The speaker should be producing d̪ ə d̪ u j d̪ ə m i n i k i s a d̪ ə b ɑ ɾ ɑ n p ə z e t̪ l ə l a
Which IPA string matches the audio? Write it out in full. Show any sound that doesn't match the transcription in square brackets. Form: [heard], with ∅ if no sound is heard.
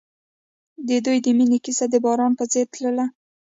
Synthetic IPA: d̪ ə d̪ u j d̪ ə m i n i k i s a d̪ ə b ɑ ɾ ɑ n p ə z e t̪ l ə l a